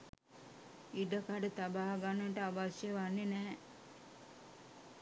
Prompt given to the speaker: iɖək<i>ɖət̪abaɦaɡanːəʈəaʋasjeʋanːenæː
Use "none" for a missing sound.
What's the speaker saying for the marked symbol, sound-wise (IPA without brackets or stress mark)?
a